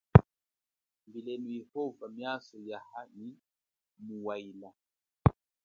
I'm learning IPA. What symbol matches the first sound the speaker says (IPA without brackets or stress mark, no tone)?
m